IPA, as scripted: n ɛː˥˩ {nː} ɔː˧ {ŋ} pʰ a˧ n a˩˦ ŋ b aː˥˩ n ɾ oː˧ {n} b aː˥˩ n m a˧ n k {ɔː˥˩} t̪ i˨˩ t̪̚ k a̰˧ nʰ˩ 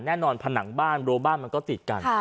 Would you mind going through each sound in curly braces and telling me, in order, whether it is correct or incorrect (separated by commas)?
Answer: incorrect, incorrect, incorrect, correct